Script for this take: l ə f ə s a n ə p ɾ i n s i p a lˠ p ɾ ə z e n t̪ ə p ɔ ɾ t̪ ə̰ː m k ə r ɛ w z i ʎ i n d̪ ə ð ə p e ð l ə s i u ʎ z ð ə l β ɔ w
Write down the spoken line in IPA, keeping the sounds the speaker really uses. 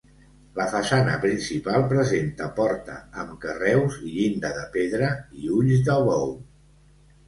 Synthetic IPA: l ə f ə s a n ə p ɾ i n s i p a lˠ p ɾ ə z e n t̪ ə p ɔ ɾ t̪ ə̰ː m k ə r ɛ w z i ʎ i n d̪ ə ð ə p e ð ɾ ə i u ʎ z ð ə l β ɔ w